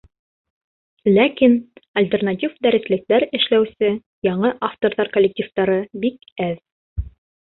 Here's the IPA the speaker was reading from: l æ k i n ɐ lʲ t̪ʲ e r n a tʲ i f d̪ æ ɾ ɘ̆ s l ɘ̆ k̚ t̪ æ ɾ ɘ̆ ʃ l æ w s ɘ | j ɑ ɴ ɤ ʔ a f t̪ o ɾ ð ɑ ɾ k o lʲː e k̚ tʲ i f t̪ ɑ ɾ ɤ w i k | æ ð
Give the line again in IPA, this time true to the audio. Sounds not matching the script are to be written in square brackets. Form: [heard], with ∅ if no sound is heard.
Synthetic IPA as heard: l æ k i n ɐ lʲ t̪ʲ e r n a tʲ i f d̪ æ ɾ ɘ̆ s l ɘ̆ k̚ t̪ æ ɾ ɘ̆ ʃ l æ w s ɘ | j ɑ ɴ ɤ ʔ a f t̪ o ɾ ð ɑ ɾ k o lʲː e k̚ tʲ i f t̪ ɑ ɾ ɤ [b] i k | æ ð